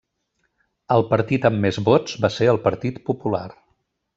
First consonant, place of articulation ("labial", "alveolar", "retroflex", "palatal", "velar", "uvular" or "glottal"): alveolar